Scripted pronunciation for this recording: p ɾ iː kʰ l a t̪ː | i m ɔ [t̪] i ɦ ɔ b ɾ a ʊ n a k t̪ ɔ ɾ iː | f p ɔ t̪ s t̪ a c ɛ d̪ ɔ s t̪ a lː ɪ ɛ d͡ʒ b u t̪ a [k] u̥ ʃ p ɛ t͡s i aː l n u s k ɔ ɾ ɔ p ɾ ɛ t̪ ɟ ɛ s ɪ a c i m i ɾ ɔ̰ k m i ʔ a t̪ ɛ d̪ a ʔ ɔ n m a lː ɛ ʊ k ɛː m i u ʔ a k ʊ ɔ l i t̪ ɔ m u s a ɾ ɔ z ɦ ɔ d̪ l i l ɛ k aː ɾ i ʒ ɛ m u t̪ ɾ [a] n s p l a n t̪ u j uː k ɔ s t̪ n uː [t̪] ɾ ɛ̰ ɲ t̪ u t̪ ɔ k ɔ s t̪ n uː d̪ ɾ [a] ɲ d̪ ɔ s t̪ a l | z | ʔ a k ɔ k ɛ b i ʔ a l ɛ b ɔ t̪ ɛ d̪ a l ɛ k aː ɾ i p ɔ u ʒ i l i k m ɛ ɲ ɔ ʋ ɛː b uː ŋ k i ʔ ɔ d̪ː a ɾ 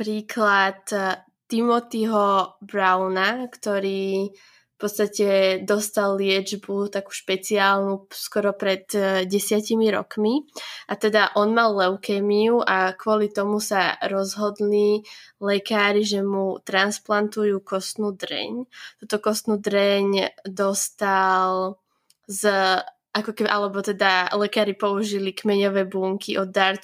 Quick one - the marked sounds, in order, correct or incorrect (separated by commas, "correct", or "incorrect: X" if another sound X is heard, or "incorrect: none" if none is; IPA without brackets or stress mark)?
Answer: correct, correct, correct, incorrect: d̪, incorrect: ɛ